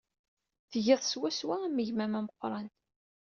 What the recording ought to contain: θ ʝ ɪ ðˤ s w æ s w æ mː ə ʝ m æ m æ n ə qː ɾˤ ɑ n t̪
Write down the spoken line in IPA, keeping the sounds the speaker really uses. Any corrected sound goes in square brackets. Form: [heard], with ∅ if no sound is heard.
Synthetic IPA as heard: θ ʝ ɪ ðˤ s w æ s w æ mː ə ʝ m æ m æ [m] ə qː ɾˤ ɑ n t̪